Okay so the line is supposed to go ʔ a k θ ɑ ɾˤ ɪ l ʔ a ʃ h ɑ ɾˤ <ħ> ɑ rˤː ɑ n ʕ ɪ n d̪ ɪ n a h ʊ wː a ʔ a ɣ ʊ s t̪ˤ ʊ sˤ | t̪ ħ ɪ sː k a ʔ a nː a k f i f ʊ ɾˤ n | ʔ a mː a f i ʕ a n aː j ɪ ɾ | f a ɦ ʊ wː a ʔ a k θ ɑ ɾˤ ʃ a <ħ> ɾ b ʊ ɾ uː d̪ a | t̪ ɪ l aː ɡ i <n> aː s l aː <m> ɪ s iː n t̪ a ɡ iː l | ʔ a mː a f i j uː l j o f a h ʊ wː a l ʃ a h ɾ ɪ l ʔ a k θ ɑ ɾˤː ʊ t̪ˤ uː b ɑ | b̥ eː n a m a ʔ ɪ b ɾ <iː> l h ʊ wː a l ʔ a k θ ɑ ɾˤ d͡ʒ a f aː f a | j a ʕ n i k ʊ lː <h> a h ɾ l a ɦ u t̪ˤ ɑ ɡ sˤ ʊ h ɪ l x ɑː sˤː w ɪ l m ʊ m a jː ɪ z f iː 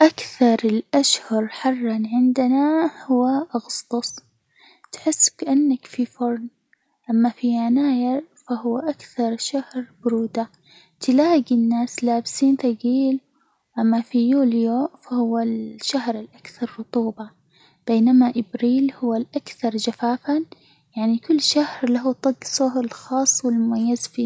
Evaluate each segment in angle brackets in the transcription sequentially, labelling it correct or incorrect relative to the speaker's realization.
correct, incorrect: h, incorrect: nː, incorrect: b, correct, incorrect: ʃ

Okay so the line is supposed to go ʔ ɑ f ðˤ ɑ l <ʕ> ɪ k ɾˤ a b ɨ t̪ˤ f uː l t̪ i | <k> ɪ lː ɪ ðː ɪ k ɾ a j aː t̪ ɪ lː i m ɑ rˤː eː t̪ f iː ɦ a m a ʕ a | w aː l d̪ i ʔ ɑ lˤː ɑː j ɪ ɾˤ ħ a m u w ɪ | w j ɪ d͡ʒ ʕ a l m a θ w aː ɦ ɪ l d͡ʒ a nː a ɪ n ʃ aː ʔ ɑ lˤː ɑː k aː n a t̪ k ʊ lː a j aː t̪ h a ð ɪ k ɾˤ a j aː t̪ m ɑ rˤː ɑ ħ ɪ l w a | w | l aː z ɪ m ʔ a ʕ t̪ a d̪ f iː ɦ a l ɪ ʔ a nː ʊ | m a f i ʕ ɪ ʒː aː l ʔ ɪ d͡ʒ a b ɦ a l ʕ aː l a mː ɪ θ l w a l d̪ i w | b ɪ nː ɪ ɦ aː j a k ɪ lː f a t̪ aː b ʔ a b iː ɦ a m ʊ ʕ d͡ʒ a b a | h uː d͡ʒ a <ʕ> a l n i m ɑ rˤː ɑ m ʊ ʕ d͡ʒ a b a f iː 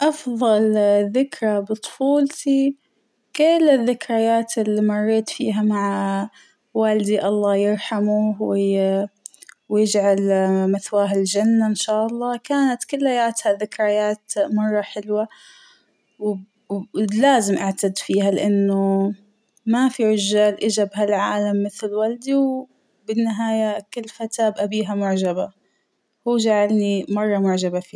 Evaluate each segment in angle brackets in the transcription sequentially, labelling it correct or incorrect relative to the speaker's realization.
incorrect: ð, correct, correct

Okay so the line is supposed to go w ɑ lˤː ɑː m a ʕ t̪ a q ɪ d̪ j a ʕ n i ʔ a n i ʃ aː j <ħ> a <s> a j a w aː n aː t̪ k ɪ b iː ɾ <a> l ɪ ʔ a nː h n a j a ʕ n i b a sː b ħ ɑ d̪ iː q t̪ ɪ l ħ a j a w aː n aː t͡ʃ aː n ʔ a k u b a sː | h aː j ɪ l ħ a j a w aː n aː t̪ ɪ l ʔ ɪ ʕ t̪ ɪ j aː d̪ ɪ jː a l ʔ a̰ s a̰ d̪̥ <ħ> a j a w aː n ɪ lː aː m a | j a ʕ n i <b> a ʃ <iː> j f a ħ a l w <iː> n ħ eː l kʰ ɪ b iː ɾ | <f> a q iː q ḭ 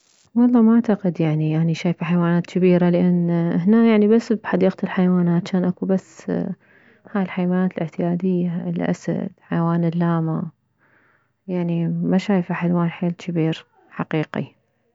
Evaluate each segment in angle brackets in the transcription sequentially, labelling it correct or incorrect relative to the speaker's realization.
incorrect: f, incorrect: ħ, correct, correct, incorrect: m, incorrect: aː, incorrect: aː, incorrect: ħ

